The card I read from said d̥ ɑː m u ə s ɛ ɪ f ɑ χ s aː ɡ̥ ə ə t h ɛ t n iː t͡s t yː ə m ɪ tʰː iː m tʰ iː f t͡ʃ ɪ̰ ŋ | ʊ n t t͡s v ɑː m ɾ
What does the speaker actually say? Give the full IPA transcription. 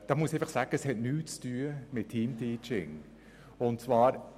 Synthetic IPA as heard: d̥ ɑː m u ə s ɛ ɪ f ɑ χ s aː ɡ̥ ə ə s h ɛ t n yː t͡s t yː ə m ɪ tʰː iː m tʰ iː t͡ʃ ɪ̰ ŋ | ʊ n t t͡s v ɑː ɾ